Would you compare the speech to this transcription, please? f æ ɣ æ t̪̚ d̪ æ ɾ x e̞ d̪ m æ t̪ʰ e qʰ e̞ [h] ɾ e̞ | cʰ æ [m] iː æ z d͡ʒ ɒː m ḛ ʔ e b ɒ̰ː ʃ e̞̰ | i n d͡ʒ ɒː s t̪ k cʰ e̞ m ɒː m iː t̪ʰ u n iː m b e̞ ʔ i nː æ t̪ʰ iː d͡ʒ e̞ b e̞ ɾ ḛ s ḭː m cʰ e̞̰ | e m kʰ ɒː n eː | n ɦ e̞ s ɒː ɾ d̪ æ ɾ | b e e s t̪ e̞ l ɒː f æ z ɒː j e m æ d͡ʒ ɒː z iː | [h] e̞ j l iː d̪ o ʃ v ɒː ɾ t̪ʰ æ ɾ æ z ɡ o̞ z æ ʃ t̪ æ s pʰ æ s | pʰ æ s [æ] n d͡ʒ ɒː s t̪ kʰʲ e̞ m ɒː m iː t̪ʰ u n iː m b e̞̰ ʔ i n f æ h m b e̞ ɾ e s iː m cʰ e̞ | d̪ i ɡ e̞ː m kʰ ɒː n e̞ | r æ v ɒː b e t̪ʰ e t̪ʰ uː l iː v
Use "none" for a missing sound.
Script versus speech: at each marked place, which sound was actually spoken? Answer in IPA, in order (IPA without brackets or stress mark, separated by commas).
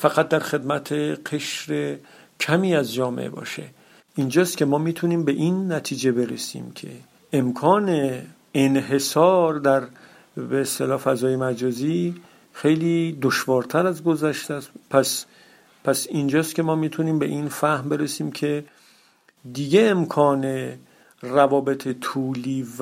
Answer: ʃ, m, x, i